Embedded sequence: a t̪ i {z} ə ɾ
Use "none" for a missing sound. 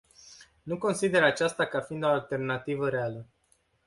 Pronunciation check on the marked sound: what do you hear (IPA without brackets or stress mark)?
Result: v